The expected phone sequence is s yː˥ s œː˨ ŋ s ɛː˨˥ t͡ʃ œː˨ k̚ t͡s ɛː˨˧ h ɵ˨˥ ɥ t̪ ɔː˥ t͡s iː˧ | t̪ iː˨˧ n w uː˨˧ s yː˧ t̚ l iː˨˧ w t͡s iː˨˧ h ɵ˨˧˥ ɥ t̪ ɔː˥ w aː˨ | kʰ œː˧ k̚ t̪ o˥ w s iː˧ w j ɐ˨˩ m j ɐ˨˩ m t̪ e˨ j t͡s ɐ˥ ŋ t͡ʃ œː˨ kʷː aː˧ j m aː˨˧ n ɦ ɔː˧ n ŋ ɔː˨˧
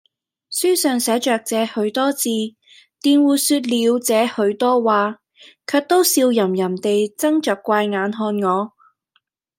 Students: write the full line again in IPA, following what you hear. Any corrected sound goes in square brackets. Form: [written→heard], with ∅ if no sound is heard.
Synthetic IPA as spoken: s yː˥ s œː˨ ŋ s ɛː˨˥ t͡ʃ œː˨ k̚ t͡s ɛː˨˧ h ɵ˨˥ ɥ t̪ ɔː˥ t͡s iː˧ | t̪ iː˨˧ n w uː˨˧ s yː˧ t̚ l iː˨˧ w t͡s [iː˨˧→ɛː˨˧] h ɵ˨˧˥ ɥ t̪ ɔː˥ w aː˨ | kʰ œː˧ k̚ t̪ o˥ w s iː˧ w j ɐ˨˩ m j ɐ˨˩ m t̪ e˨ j t͡s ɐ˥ ŋ t͡ʃ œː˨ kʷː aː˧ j [m→ŋ] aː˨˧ n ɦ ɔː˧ n ŋ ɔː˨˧